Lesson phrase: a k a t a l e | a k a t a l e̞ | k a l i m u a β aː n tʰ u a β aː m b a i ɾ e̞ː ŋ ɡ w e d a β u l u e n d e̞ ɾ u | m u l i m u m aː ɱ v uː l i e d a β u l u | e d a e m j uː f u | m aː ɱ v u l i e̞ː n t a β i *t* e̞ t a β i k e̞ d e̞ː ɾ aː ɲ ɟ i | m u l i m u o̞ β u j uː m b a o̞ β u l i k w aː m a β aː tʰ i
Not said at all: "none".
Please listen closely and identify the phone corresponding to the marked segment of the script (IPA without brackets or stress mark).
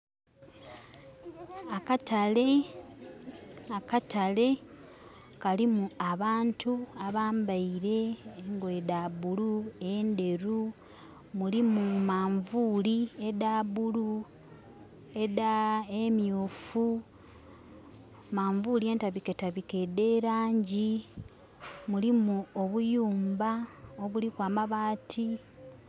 k